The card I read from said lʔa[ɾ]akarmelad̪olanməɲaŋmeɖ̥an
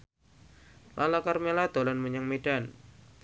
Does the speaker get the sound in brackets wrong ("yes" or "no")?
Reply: yes